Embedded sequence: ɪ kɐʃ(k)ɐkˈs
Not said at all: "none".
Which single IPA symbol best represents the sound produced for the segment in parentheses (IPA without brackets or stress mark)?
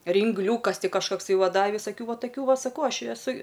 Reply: k